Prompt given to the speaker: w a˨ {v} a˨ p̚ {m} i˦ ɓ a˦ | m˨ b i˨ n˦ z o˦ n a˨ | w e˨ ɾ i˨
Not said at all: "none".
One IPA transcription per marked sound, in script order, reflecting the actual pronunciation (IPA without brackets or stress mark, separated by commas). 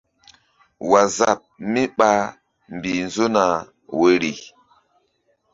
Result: z, m